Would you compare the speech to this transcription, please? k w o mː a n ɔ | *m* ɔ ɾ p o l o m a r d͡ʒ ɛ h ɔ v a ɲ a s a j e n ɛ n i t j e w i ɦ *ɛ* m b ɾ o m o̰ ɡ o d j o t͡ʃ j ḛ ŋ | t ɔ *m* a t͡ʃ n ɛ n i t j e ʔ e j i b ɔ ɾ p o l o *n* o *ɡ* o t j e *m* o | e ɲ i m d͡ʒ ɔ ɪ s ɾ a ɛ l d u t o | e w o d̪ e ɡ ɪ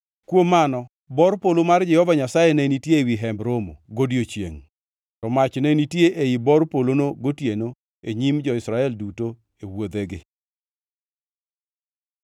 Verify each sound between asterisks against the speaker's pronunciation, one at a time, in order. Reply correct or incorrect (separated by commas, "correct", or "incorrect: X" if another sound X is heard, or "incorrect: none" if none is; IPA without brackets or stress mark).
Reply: incorrect: b, correct, correct, correct, correct, incorrect: n